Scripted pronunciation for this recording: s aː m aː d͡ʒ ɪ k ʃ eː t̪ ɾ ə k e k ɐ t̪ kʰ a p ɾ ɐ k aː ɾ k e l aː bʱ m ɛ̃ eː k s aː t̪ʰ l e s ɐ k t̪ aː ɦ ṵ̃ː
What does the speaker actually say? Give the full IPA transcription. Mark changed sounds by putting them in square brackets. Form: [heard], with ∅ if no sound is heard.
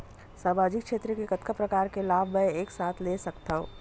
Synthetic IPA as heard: s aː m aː d͡ʒ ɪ k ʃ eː t̪ ɾ ə k e k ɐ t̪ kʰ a p ɾ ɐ k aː ɾ k e l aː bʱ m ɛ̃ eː k s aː t̪ʰ l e s ɐ k t̪ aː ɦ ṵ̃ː

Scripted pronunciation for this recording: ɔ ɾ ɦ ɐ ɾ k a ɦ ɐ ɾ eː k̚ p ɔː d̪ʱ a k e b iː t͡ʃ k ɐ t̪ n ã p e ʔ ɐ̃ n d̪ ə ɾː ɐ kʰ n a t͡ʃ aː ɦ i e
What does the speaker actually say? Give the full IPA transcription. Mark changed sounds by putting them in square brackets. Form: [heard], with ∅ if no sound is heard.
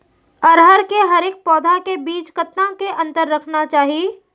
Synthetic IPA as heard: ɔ ɾ ɦ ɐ ɾ k [e] ɦ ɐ ɾ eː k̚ p ɔː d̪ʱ a k e b iː t͡ʃ k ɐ t̪ n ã [k] e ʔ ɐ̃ n [t̪] ə ɾː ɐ kʰ n a t͡ʃ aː ɦ i e

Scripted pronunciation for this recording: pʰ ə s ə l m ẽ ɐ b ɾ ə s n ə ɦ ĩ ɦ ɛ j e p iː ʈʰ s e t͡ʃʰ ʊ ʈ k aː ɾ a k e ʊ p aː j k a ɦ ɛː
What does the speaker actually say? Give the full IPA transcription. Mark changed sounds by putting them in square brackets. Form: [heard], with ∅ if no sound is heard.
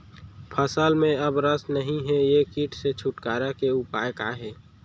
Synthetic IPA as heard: pʰ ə s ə l m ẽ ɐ b ɾ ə s n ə ɦ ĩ ɦ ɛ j e [k] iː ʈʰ s e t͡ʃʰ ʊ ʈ k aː ɾ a k e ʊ p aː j k a ɦ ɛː

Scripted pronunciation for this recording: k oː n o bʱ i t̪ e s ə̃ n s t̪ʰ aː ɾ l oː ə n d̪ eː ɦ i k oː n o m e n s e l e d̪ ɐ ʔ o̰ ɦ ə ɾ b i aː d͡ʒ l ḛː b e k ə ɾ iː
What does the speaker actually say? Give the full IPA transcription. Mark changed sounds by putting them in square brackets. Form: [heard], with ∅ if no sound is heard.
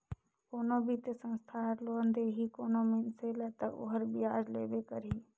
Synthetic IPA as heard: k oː n o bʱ i t̪ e s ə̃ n s t̪ʰ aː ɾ l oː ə n d̪ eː ɦ i k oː n o m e n s e l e [t̪] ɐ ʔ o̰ ɦ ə ɾ b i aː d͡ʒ l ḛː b e k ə ɾ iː

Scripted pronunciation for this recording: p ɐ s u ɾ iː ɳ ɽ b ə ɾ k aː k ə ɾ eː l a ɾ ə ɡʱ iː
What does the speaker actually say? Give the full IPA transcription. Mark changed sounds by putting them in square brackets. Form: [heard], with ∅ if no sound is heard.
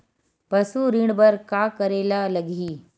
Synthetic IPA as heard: p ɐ s u ɾ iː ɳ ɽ b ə ɾ k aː k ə ɾ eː l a [l] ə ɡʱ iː

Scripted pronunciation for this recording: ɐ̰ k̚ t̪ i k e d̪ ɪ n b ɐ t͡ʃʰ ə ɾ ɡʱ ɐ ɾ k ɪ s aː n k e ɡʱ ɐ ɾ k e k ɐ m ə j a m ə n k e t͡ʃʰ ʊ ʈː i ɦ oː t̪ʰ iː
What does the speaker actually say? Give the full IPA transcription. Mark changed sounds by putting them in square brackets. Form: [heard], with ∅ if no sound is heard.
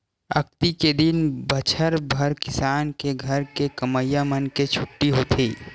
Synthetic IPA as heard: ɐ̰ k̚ t̪ i k e d̪ ɪ n b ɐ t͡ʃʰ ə ɾ [bʱ] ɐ ɾ k ɪ s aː n k e ɡʱ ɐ ɾ k e k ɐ m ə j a m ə n k e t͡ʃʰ ʊ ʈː i ɦ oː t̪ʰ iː

